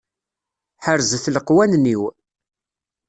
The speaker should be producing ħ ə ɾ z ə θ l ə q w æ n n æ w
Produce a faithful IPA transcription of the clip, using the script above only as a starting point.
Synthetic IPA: ħ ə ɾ z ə θ l ə q w æ n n i w